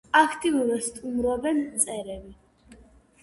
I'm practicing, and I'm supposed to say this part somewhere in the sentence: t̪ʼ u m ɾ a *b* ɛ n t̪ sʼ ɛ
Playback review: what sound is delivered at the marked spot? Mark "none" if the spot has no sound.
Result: b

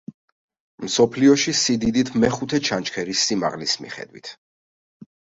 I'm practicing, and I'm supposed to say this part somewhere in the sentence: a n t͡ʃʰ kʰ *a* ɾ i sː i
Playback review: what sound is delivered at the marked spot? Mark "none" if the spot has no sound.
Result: ɛ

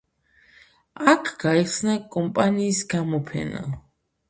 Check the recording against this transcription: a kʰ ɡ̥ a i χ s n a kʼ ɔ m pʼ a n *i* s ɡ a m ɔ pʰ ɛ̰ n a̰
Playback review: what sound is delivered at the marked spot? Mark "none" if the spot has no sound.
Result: iː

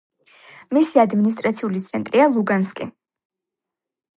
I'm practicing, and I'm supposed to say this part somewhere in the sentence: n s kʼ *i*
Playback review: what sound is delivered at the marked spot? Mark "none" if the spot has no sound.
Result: i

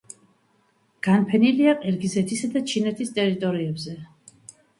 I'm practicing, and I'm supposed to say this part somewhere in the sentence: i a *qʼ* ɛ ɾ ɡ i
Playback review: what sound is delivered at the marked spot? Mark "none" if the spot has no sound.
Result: qʼ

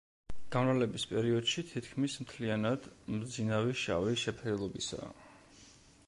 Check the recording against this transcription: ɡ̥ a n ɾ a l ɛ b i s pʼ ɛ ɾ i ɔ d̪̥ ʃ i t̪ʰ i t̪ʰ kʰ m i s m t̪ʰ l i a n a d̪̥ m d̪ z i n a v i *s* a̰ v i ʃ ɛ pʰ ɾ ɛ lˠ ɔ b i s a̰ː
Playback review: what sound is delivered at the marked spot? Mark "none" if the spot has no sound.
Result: ʃ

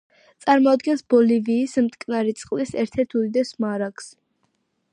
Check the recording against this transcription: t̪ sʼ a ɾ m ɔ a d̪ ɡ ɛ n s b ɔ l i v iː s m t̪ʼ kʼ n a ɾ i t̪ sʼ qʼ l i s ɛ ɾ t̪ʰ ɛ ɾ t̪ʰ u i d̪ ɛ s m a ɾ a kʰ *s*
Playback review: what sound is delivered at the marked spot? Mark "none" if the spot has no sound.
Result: s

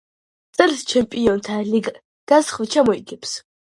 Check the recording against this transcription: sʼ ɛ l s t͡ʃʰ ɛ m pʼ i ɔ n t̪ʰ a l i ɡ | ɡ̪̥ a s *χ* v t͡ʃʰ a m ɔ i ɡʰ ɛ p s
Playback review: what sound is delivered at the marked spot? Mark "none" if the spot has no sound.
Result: χ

